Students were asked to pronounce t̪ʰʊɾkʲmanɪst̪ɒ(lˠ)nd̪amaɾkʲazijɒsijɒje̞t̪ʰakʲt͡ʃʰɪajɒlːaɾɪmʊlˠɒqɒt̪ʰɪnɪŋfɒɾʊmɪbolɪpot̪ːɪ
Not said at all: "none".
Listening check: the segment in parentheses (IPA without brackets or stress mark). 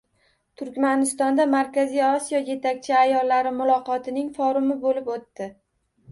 none